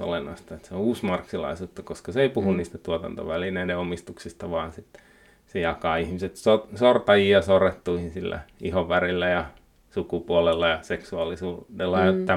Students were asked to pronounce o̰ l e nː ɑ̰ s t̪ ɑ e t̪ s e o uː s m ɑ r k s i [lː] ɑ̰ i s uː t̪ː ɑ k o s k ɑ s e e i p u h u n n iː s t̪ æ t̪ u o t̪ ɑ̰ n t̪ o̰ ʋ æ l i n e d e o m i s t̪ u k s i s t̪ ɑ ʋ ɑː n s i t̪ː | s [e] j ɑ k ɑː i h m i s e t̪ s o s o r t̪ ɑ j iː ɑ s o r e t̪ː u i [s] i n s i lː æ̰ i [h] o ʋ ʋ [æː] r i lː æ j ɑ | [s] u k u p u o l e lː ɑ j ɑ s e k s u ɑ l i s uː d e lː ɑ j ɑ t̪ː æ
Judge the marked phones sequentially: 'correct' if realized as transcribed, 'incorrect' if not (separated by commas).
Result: incorrect, correct, incorrect, correct, incorrect, correct